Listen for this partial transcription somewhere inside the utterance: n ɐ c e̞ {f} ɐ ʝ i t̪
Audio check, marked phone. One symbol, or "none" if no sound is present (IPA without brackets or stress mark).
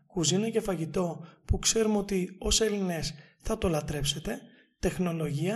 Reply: f